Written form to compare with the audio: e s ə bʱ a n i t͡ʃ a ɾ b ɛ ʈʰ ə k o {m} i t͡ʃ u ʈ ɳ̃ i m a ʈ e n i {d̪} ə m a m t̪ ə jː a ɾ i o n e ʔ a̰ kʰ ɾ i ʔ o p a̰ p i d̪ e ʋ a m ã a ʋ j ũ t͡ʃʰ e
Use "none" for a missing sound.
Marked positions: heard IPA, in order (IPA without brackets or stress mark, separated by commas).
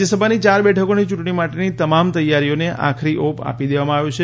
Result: n, t̪